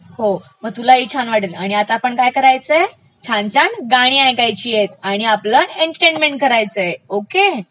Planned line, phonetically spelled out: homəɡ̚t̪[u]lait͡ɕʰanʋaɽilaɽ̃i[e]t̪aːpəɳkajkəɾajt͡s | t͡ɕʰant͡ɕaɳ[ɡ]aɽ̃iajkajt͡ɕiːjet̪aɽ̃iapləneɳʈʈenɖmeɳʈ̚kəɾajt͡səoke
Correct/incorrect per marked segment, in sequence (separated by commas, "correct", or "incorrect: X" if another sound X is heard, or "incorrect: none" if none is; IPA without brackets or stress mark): correct, incorrect: a, correct